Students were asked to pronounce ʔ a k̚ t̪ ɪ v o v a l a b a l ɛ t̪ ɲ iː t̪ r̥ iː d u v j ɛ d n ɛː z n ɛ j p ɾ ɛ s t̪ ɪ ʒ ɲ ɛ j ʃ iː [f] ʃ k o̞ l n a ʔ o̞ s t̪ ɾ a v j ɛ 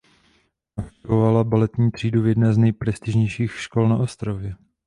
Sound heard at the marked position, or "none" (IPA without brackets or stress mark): x